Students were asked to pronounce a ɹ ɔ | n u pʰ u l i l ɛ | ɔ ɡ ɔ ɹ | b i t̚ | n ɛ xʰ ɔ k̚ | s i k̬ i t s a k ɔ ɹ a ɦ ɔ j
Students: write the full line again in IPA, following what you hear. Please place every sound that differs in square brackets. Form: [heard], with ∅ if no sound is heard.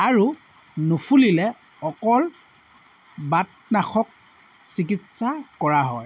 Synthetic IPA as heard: a ɹ [u] | n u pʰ u l i l ɛ | ɔ [k] ɔ [l] | b [a] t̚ | n [a] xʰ ɔ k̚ | s i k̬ i t s a k ɔ ɹ a ɦ ɔ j